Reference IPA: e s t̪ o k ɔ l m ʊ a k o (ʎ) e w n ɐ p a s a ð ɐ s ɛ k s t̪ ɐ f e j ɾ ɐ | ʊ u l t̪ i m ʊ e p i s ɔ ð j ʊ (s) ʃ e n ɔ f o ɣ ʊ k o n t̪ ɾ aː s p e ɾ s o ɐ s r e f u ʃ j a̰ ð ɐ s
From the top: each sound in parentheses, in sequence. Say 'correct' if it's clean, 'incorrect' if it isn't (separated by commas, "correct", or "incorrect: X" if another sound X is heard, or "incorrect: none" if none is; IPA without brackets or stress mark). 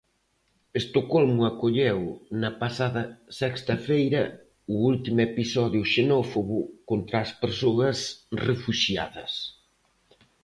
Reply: correct, incorrect: none